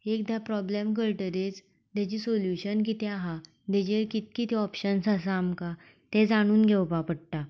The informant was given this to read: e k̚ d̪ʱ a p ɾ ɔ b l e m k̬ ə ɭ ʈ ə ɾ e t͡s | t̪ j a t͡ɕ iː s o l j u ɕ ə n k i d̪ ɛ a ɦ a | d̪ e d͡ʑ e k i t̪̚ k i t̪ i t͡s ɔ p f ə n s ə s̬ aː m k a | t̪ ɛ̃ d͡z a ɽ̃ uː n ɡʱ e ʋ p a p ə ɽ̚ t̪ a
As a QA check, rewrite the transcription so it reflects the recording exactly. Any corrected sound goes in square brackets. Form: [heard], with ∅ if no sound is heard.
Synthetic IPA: e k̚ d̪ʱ a p ɾ ɔ b l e m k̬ ə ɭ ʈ ə ɾ e t͡s | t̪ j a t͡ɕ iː s o l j u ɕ ə n k i [t̪] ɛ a ɦ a | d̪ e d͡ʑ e k i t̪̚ k i t̪ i [∅] ɔ p [ɕ] ə n s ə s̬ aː m k a | t̪ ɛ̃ d͡z a ɽ̃ uː n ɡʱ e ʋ p a p ə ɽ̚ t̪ a